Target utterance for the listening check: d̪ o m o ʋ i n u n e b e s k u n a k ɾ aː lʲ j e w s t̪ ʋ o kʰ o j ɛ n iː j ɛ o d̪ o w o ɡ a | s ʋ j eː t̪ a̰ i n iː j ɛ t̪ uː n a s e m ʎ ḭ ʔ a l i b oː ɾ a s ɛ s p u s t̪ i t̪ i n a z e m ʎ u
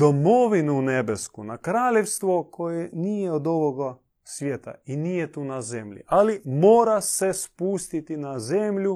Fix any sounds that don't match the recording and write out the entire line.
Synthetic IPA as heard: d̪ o m o ʋ i n u n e b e s k u n a k ɾ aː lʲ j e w s t̪ ʋ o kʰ o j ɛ n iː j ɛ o d̪ o ʋ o ɡ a | s ʋ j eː t̪ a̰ i n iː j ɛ t̪ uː n a z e m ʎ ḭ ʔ a l i m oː ɾ a s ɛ s p u s t̪ i t̪ i n a z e m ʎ u